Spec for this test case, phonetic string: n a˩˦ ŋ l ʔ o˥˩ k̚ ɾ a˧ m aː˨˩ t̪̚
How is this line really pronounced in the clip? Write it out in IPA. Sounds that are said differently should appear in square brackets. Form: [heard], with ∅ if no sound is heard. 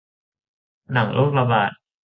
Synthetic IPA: n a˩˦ ŋ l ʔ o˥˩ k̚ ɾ a˧ [b] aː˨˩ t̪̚